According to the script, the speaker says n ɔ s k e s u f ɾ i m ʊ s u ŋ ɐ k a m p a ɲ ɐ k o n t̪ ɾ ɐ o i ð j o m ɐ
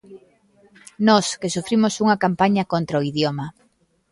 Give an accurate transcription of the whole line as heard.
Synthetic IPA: n ɔ s k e s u f ɾ i m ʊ s u ŋ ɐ k a m p a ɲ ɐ k o n t̪ ɾ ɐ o i ð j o m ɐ